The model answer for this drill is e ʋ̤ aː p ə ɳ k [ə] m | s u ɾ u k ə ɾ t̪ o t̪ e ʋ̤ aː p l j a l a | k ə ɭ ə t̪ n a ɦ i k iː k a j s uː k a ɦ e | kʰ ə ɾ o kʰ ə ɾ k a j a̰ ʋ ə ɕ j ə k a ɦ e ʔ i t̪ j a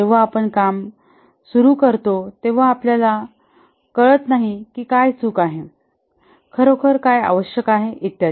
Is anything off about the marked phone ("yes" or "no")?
yes